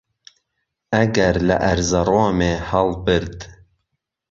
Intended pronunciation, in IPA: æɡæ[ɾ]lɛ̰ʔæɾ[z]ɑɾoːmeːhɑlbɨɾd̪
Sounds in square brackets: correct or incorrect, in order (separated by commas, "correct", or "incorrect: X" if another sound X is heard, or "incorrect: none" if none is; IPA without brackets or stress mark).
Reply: correct, correct